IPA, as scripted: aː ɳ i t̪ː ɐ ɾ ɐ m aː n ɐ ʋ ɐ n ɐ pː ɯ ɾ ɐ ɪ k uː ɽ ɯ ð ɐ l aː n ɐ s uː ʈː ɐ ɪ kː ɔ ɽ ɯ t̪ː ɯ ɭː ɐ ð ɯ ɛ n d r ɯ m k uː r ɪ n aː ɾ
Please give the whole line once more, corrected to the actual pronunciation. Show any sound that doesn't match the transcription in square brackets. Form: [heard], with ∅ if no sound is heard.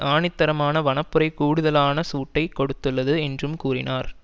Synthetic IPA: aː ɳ [ɪ] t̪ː ɐ ɾ ɐ m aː n ɐ ʋ ɐ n ɐ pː ɯ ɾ ɐ ɪ k uː ɽ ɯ ð ɐ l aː n ɐ s uː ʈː ɐ ɪ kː ɔ ɽ ɯ t̪ː ɯ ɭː ɐ ð ɯ ɛ n d r ɯ m k uː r ɪ n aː ɾ